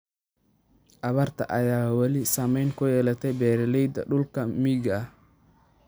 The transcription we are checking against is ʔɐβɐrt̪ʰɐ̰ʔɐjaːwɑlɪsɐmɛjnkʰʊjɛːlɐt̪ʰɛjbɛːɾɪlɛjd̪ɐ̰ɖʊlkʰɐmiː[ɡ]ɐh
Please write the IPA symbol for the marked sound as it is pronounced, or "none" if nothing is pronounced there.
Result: ɡ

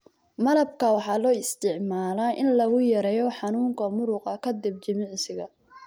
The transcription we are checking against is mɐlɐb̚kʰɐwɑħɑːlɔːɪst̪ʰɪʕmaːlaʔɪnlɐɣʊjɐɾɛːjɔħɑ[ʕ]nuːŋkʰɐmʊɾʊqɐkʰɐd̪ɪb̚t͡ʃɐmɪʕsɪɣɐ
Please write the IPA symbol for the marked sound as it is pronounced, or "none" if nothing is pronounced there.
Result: none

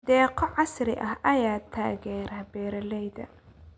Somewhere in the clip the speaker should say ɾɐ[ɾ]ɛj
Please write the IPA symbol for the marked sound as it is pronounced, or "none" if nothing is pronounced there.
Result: l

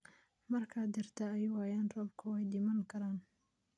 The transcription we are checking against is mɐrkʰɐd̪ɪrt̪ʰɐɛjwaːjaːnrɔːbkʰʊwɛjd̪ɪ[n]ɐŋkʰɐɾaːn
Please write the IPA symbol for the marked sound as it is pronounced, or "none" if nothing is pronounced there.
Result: m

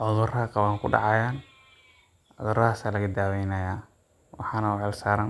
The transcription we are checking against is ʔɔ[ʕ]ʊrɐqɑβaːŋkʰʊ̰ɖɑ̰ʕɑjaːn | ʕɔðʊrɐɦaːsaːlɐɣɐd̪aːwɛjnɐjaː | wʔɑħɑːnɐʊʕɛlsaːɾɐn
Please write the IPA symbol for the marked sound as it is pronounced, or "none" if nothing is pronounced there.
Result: ð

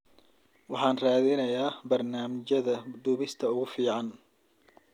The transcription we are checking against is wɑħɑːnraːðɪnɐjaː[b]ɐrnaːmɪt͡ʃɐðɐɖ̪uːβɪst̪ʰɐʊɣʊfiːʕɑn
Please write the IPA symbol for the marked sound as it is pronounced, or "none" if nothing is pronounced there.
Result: b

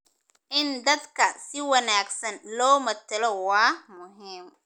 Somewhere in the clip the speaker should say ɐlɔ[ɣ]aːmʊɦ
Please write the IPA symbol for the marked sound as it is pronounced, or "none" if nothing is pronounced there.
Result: w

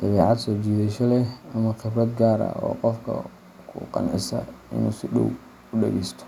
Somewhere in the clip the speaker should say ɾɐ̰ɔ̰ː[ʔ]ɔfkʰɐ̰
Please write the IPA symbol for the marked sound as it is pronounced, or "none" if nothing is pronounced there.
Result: q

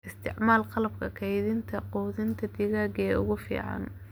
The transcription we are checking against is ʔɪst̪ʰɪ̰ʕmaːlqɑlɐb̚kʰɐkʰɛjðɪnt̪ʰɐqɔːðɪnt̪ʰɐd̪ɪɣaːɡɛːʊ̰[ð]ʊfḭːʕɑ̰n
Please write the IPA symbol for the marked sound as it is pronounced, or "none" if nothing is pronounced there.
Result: ɣ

